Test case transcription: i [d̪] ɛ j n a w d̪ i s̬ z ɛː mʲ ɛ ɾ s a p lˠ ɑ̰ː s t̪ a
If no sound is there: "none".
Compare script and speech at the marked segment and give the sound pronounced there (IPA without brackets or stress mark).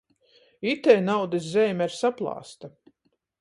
t̪